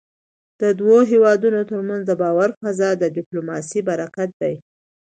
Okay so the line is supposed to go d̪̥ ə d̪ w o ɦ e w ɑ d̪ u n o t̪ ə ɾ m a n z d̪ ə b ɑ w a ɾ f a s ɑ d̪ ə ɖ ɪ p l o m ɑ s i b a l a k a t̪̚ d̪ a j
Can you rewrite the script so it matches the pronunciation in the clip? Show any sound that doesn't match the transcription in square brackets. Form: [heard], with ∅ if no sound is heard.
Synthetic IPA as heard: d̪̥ ə d̪ w o ɦ e w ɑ d̪ u n o t̪ ə ɾ m a n z d̪ ə b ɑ w a ɾ f a [z] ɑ d̪ ə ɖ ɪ p l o m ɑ s i b a [ɾ] a k a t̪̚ d̪ a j